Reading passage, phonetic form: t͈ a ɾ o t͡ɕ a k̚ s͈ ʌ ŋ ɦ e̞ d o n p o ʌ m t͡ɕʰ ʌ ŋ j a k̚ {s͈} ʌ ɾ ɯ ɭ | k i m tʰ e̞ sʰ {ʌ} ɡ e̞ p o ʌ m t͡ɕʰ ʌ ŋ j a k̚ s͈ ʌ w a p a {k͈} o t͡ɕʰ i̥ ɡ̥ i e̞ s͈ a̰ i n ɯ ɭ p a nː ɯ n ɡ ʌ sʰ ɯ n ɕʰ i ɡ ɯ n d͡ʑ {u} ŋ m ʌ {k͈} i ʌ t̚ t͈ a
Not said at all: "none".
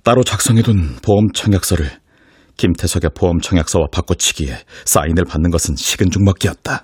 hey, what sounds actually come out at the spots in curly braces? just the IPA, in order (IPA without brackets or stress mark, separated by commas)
s͈, ʌ, k͈, u, k͈